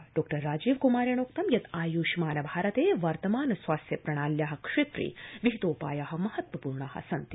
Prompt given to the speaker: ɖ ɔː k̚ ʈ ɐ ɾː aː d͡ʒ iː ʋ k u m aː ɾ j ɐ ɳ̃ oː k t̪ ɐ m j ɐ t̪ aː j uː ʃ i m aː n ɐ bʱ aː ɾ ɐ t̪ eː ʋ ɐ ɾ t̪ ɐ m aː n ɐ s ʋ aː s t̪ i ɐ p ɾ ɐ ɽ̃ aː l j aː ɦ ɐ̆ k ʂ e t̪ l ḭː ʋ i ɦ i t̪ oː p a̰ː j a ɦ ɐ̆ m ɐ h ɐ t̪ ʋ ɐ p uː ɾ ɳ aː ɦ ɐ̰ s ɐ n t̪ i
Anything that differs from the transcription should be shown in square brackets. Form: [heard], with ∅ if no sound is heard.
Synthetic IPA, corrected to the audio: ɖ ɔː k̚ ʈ ɐ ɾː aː d͡ʒ iː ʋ k u m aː ɾ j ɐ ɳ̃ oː k t̪ ɐ m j ɐ t̪ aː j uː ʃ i m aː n ɐ bʱ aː ɾ ɐ t̪ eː ʋ ɐ ɾ t̪ ɐ m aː n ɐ s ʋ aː s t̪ [j] ɐ p ɾ ɐ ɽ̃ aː l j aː ɦ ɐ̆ k ʂ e t̪ [ɾ] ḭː ʋ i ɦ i t̪ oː p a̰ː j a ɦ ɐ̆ m ɐ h ɐ t̪ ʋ ɐ p uː ɾ ɳ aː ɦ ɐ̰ s ɐ n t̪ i